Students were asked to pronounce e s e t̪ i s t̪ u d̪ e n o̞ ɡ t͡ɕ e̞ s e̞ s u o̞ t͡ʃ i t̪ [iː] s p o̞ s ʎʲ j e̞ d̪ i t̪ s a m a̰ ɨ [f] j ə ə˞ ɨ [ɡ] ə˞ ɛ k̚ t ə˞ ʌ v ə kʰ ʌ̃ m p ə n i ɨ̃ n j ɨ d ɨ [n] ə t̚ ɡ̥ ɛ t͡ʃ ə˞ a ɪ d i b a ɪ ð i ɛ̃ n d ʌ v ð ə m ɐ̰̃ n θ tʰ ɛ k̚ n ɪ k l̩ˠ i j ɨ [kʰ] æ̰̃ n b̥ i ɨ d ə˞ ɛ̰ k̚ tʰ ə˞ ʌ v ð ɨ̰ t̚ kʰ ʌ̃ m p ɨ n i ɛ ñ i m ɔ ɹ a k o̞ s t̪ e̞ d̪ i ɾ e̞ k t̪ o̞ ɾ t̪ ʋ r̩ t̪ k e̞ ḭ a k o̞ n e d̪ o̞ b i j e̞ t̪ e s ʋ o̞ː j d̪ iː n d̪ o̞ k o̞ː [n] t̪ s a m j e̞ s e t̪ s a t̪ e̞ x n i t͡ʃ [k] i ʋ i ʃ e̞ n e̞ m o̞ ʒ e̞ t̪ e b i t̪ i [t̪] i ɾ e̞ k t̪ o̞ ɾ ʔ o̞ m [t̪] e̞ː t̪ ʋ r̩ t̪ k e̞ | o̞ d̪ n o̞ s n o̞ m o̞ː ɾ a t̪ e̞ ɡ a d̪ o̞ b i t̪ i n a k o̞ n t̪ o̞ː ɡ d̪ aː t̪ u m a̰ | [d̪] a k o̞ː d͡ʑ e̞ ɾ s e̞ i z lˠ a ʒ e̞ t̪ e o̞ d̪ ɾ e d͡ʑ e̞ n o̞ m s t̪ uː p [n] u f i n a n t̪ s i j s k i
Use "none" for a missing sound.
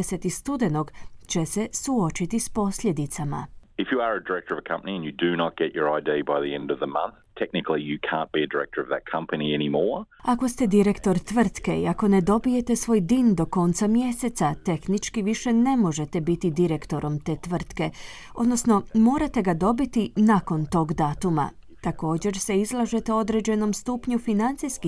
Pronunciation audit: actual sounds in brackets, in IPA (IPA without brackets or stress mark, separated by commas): i, f, d, n, kʰ, n, k, d̪, t̪, t̪, ɲ